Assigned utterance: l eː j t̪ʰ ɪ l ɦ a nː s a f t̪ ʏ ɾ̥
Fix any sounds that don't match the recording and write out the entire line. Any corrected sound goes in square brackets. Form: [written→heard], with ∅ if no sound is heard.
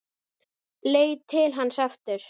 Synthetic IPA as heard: l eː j t̪ʰ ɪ l ɦ a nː s a f t̪ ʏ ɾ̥